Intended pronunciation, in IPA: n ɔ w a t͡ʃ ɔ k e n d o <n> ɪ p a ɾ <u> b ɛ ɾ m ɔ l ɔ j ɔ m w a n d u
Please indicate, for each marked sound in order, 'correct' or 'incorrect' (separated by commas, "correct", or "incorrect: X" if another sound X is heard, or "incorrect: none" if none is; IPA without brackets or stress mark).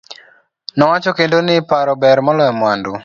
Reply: correct, incorrect: ɔ